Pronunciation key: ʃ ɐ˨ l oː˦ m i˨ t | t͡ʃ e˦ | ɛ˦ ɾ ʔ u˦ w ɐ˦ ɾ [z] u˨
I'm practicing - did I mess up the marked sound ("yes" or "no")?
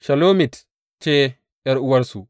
yes